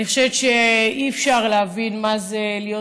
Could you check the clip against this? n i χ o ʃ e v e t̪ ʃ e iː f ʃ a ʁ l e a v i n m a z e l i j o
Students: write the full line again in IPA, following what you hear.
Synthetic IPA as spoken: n i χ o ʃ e v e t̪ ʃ e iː f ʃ a ʁ l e a v i n m a z e l i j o

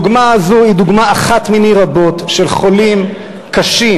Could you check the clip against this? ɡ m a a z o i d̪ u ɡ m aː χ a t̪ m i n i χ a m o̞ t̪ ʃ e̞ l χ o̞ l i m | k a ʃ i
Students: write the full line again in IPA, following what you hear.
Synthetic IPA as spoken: ɡ m a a z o i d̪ u ɡ m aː χ a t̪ m i n i ʁ a b o̞ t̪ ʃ e̞ l χ o̞ l i m | k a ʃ i

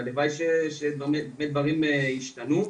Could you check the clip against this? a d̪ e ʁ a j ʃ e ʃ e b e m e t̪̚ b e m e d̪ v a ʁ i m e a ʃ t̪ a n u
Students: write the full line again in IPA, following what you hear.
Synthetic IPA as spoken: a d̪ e v a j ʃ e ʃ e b e m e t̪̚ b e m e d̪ v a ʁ i m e i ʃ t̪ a n u

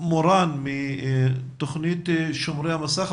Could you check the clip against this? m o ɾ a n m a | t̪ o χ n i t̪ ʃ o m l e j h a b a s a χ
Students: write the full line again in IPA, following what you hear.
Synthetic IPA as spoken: m o ɾ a n m i | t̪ o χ n i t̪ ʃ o m ɾ e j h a m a s a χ

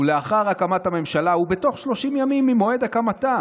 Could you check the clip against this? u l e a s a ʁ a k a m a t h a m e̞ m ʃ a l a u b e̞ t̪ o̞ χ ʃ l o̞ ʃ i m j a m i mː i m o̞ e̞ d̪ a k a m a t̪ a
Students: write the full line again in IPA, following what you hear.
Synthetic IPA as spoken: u l e a χ a ʁ a k a m a t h a m e̞ m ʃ a l a u b e̞ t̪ o̞ χ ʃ l o̞ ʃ i m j a m i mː i m o̞ e̞ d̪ a k a m a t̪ a

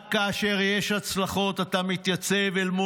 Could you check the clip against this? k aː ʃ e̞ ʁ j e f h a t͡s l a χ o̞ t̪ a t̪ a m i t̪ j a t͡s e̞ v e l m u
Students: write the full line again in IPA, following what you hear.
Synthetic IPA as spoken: k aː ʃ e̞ ʁ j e ʃ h a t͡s l a χ o̞ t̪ a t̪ a m i t̪ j a t͡s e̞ v e l m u

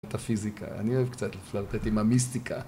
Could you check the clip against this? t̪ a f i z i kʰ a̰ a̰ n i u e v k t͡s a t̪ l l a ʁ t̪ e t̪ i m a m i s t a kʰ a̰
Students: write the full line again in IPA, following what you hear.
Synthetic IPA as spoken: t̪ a f i z i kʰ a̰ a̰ n i o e v k t͡s a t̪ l l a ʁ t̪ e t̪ i m a m i s t i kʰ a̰

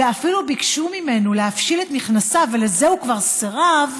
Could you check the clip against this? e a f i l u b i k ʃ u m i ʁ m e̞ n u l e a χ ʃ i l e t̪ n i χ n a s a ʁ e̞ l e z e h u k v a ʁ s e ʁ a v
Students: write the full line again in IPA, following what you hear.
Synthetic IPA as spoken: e a f i l u b i k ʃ u m i m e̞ n u l e a f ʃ i l e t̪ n i χ n a s a v e̞ l e z e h u k v a ʁ s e ʁ a v

